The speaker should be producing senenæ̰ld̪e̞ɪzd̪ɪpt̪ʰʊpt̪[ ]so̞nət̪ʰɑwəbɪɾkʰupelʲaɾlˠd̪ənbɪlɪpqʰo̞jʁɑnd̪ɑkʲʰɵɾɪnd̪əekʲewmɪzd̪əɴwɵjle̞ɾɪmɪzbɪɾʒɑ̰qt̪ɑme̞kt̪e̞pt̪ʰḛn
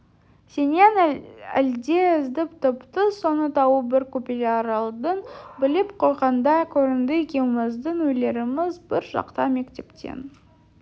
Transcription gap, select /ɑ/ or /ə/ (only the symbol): ə